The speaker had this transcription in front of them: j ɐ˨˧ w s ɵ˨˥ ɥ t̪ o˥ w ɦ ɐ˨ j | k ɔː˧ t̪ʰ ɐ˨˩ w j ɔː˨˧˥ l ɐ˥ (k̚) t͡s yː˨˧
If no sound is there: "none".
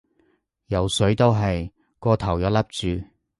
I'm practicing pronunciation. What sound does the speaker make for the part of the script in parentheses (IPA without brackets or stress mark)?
p̚